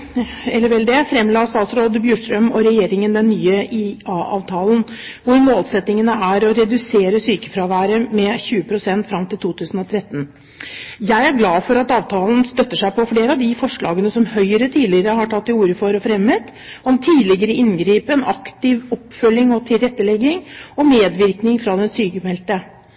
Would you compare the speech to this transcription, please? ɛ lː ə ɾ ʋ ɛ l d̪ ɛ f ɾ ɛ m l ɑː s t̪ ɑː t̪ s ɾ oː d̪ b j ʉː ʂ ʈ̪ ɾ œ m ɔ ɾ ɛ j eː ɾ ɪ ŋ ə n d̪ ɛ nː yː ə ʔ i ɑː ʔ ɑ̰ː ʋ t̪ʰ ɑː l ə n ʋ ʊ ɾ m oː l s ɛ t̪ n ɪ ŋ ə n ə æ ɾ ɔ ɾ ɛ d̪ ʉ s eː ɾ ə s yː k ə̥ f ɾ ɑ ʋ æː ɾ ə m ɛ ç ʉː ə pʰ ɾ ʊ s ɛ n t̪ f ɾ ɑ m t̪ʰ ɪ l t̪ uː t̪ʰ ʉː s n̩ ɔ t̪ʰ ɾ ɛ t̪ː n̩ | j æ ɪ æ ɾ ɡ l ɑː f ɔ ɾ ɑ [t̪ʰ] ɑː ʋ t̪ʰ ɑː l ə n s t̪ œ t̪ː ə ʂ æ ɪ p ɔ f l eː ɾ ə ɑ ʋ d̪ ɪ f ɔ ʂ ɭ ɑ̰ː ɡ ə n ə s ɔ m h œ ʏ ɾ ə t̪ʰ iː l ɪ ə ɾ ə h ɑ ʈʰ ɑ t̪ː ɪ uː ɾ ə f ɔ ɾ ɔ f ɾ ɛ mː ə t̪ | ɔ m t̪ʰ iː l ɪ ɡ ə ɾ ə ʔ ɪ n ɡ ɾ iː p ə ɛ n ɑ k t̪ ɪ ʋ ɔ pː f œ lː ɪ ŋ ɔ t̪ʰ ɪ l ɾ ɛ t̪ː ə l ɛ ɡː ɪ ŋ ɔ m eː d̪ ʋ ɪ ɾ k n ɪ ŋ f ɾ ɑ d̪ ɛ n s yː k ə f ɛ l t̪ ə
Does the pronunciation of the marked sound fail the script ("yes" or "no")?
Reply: yes